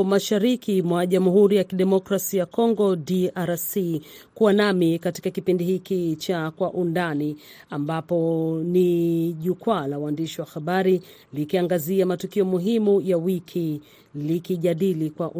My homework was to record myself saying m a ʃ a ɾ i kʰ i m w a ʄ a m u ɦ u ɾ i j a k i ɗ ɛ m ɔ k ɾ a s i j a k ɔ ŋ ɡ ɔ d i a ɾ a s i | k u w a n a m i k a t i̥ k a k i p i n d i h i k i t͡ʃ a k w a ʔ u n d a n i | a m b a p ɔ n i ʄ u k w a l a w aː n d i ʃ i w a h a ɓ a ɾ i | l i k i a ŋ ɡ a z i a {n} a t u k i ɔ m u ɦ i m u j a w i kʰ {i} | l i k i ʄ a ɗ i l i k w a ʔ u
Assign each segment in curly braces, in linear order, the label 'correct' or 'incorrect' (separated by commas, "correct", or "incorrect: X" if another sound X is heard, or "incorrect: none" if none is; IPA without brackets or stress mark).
incorrect: m, correct